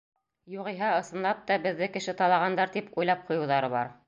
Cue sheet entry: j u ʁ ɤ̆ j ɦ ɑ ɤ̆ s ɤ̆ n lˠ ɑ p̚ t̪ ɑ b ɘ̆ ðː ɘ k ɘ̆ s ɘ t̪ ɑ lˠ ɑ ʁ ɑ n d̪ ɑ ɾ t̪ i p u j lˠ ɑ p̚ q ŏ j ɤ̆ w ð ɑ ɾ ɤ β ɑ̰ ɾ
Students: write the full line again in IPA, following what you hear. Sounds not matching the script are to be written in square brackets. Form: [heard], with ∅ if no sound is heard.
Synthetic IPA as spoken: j u ʁ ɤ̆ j ɦ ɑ ɤ̆ s ɤ̆ n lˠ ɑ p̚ t̪ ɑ b ɘ̆ ðː ɘ k ɘ̆ [ʃ] ɘ t̪ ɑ lˠ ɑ ʁ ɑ n d̪ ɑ ɾ t̪ i p u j lˠ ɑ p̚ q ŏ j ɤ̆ w ð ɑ ɾ ɤ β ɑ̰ ɾ